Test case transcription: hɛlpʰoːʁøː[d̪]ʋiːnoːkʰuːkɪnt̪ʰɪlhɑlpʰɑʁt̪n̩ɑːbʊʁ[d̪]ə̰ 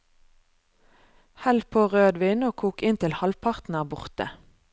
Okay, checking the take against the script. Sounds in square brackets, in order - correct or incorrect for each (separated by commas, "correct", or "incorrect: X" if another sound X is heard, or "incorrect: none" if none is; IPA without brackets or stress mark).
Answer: correct, incorrect: t̪